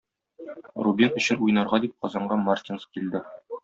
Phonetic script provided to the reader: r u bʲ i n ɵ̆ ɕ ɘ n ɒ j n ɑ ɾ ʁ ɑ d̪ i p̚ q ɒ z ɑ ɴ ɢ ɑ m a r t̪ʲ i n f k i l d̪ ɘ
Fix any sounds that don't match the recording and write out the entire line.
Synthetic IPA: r u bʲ i n ɵ̆ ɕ ɘ n u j n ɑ ɾ ʁ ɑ d̪ i p̚ q ɒ z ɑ ɴ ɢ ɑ m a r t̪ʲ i n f k i l d̪ ɘ